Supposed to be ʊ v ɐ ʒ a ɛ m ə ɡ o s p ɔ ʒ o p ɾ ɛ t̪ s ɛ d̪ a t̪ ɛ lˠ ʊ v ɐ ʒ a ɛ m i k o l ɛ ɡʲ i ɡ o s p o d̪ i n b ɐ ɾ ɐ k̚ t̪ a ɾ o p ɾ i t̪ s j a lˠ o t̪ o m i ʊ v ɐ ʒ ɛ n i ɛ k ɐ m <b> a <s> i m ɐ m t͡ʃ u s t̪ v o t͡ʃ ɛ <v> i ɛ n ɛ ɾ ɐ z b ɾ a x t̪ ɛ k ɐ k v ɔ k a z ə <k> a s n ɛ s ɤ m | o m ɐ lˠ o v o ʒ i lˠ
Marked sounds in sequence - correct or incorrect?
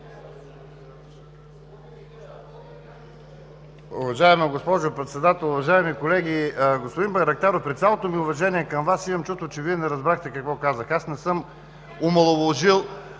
incorrect, correct, correct, incorrect

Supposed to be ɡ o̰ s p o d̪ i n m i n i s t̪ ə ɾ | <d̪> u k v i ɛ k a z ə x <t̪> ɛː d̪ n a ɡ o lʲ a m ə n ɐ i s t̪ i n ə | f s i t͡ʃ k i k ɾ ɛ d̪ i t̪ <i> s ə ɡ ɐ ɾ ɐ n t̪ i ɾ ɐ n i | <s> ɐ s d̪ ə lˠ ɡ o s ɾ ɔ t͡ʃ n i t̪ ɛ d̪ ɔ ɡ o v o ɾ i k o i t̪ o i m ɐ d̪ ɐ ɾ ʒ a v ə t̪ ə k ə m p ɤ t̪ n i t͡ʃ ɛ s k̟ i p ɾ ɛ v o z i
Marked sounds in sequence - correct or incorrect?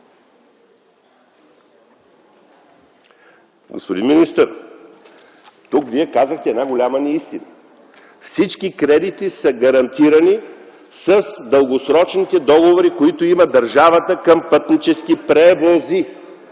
incorrect, correct, correct, correct

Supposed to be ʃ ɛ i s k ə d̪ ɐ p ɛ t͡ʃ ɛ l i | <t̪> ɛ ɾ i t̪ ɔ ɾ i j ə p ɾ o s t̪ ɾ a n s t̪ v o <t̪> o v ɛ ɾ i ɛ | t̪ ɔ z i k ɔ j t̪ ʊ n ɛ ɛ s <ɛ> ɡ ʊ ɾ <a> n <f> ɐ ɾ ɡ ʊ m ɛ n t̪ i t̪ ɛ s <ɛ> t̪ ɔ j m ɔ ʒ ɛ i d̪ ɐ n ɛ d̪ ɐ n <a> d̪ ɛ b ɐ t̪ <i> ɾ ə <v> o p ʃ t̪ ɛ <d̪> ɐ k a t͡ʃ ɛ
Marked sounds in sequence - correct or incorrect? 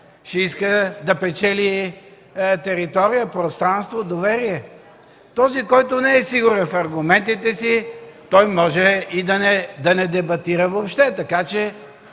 correct, incorrect, incorrect, incorrect, correct, incorrect, incorrect, correct, correct, incorrect

